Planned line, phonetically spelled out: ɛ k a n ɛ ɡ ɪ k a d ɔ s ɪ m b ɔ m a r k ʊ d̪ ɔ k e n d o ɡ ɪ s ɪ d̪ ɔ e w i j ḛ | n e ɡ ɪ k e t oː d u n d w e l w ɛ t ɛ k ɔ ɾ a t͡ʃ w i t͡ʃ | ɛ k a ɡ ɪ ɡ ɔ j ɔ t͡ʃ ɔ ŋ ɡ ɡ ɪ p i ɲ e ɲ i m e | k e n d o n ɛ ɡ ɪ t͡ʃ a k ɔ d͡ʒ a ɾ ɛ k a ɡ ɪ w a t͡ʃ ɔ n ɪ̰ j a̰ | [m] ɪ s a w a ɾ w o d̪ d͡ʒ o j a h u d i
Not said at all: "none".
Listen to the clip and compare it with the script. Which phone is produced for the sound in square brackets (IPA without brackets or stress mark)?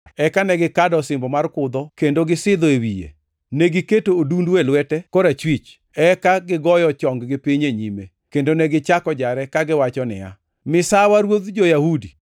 m